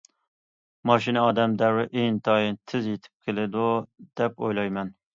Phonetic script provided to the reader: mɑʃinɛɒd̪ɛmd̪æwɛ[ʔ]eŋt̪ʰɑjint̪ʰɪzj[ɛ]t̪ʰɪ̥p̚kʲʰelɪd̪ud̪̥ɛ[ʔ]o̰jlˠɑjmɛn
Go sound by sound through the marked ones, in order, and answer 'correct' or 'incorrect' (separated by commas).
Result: correct, incorrect, incorrect